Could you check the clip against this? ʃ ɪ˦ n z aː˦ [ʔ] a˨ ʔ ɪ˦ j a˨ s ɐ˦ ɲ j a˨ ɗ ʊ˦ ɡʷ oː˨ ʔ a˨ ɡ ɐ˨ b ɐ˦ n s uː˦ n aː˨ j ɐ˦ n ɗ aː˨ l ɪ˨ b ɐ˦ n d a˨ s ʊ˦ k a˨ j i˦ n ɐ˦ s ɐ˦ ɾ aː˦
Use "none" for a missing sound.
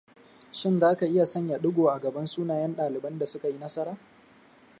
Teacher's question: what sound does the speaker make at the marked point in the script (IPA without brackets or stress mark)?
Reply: k